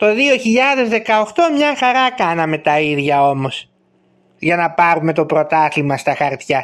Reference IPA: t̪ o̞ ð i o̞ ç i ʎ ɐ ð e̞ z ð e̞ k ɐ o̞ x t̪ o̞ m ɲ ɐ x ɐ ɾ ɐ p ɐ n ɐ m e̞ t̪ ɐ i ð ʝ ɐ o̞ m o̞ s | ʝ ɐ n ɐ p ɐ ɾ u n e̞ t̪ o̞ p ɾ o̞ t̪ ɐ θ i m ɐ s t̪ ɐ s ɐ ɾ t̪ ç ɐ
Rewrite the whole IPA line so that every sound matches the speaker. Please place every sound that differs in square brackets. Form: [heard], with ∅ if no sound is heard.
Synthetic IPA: t̪ o̞ ð i o̞ ç i ʎ ɐ ð e̞ z ð e̞ k ɐ o̞ x t̪ o̞ m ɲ ɐ x ɐ ɾ ɐ [k] ɐ n ɐ m e̞ t̪ ɐ i ð ʝ ɐ o̞ m o̞ s | ʝ ɐ n ɐ p ɐ ɾ u [m] e̞ t̪ o̞ p ɾ o̞ t̪ ɐ θ i m ɐ s t̪ ɐ [x] ɐ ɾ t̪ ç ɐ